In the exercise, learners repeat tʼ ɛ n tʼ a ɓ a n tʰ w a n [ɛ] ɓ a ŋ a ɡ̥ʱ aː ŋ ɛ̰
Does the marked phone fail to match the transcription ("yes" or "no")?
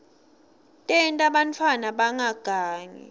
yes